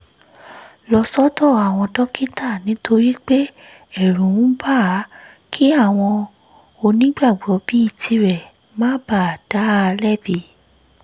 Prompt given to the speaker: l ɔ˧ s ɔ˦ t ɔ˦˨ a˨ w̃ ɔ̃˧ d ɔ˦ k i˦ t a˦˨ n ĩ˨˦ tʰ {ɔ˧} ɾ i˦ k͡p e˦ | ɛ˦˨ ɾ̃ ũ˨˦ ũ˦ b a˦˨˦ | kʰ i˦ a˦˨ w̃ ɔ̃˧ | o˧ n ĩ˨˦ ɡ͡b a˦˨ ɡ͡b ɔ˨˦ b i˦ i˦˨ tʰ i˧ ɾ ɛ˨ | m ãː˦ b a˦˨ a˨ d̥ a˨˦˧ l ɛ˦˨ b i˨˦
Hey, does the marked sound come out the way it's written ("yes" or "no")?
no